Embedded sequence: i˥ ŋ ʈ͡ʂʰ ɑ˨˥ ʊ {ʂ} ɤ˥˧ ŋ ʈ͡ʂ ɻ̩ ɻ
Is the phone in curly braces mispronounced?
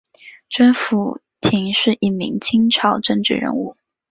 yes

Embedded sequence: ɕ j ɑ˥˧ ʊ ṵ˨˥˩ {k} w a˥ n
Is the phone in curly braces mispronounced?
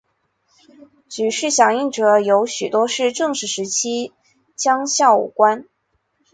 no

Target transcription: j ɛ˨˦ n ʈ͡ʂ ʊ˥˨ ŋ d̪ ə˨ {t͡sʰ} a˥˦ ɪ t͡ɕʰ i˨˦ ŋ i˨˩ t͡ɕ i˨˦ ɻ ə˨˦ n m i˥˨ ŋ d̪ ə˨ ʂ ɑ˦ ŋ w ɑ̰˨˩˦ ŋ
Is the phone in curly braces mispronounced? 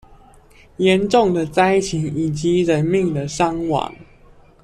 yes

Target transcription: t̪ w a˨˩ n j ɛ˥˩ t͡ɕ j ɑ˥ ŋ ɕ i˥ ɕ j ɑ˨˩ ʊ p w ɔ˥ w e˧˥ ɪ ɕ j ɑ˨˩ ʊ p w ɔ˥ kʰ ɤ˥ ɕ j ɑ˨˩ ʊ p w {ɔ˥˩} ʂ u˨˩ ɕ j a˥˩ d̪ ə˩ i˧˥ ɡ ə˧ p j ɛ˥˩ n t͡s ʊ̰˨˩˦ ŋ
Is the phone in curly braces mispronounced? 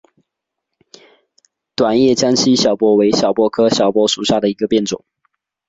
yes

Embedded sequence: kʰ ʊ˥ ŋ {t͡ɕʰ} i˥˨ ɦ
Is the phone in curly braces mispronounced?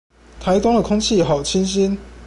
no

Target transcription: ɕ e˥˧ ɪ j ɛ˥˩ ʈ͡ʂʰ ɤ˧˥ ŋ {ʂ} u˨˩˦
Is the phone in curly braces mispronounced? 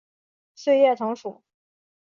no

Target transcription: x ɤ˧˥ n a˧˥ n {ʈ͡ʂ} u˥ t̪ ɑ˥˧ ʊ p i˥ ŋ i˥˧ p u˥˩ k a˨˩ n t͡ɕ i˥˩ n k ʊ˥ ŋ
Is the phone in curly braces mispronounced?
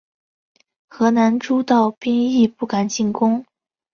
no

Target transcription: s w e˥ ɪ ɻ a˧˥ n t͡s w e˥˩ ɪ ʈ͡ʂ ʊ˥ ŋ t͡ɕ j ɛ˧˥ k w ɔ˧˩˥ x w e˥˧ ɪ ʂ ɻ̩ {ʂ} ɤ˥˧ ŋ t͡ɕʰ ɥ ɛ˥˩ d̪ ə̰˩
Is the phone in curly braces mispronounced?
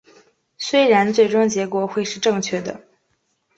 yes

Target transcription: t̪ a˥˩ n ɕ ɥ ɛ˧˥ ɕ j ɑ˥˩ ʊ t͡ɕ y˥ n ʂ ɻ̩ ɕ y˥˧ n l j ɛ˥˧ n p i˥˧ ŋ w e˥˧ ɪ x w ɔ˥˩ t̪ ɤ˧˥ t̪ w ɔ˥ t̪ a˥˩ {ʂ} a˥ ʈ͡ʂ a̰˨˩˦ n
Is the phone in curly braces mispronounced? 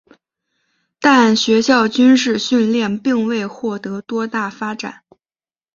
yes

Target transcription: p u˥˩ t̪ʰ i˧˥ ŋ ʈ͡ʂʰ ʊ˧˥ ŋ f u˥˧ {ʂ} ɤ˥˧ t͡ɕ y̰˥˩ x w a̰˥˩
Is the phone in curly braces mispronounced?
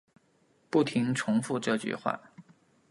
yes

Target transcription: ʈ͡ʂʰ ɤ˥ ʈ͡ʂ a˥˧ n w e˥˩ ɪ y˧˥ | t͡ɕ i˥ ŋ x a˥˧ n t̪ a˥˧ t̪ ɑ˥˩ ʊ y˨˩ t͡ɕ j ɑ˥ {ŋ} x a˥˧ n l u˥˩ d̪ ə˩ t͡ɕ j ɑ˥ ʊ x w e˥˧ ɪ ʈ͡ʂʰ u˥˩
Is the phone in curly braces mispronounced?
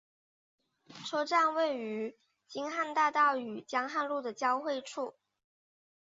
no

